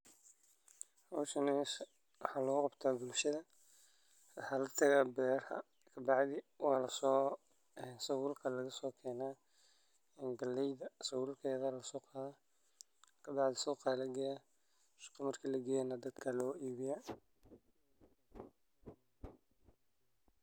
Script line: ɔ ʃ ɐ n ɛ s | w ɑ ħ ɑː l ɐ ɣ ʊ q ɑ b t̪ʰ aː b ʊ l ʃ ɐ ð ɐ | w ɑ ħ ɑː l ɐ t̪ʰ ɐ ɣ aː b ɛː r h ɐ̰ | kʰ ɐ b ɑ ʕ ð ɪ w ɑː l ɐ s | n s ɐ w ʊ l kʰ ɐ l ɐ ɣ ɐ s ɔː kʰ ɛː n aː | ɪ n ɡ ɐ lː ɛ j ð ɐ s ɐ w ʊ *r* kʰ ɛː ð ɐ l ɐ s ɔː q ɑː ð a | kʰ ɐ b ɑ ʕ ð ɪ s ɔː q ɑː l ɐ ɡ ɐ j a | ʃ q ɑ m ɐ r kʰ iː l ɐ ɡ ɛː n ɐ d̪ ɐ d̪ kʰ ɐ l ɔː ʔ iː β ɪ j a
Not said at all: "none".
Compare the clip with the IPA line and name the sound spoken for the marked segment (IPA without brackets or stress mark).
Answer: l